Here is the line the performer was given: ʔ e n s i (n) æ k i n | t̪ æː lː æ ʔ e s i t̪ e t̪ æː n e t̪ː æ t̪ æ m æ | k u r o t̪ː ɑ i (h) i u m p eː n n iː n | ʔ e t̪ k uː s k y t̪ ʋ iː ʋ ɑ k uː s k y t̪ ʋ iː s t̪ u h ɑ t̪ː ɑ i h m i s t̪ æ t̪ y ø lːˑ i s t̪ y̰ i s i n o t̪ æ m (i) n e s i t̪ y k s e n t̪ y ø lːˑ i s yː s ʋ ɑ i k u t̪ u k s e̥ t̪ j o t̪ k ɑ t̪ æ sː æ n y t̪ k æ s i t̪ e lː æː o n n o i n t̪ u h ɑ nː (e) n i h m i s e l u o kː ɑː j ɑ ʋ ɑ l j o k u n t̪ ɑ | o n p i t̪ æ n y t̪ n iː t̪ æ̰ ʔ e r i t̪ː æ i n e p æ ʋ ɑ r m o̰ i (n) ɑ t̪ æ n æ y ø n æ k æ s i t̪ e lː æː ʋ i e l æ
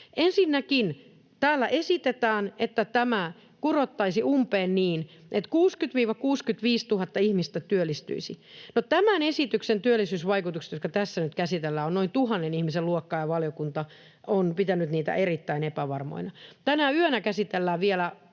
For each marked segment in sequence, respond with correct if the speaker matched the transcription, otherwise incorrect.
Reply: incorrect: nː, incorrect: s, incorrect: æ, correct, correct

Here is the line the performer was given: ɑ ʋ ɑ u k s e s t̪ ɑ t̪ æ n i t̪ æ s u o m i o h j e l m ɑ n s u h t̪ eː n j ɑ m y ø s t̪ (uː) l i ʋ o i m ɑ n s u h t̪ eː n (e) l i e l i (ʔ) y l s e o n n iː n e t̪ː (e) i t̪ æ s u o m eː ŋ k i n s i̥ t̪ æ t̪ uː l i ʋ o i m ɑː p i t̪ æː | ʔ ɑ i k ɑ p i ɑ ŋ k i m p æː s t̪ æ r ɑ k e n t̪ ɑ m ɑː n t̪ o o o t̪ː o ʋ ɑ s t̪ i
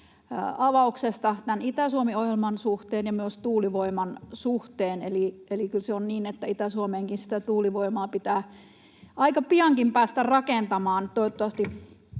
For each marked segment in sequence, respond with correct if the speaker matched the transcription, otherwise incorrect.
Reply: correct, correct, incorrect: k, incorrect: æ

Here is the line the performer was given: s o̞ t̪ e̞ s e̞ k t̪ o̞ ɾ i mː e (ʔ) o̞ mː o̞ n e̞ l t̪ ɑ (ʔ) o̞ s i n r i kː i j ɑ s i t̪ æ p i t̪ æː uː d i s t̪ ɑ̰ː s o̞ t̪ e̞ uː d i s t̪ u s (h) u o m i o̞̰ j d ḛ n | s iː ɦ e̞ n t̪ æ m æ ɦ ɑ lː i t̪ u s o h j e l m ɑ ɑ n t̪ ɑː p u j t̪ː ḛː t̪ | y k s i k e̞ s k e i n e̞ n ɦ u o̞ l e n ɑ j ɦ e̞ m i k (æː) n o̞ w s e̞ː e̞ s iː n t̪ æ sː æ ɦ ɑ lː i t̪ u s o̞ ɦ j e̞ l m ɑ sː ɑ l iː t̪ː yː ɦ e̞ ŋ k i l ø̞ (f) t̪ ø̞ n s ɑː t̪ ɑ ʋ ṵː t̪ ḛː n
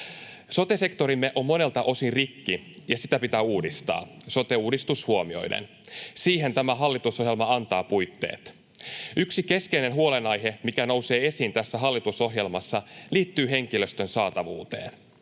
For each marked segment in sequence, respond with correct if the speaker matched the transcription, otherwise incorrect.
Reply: correct, correct, correct, incorrect: æ, incorrect: s

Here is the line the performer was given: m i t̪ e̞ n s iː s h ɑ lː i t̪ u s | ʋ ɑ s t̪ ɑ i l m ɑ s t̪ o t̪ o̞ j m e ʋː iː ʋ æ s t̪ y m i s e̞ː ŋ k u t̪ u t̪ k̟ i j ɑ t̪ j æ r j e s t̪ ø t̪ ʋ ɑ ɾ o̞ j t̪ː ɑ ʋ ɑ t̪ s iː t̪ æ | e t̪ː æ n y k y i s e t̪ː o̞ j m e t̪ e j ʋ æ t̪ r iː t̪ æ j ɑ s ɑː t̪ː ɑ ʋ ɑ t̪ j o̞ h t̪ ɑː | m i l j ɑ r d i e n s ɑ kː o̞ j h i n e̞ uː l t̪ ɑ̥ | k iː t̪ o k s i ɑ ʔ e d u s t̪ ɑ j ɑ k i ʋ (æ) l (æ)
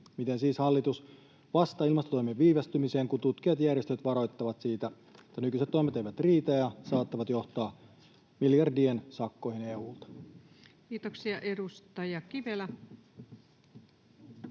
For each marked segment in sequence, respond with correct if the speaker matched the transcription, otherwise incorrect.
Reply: incorrect: e, correct

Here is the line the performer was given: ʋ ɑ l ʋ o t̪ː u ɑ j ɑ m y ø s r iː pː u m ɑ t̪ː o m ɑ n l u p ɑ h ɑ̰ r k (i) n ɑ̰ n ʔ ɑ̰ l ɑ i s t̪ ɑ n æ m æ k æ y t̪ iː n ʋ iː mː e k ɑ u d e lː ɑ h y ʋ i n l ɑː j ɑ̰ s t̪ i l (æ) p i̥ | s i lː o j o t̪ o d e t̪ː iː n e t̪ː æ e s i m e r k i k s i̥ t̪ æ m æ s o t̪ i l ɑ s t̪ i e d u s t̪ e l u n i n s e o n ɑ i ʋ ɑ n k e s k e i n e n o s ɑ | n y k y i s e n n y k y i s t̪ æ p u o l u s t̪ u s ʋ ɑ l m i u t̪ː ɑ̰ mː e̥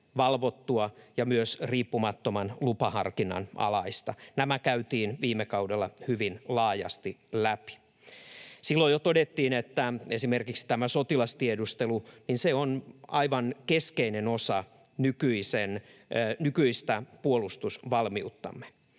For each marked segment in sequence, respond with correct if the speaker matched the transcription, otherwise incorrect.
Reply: correct, correct

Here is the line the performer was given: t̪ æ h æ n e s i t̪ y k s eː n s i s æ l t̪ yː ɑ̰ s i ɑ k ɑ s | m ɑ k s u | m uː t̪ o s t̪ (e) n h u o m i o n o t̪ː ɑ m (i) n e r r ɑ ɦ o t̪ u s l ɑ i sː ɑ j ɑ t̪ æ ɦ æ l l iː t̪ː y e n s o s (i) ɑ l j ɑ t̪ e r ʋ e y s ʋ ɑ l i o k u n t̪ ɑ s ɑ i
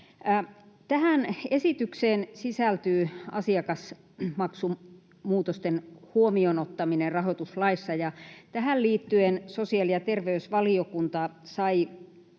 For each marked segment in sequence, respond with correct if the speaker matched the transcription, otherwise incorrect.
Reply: correct, correct, correct

